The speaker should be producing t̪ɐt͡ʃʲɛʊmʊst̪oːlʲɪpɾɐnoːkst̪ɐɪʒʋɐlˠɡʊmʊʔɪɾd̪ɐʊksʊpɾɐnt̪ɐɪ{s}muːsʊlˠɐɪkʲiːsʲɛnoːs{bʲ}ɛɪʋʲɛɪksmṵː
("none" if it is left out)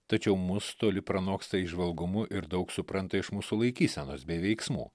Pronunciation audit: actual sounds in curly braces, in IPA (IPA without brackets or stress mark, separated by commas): ʃ, bʲ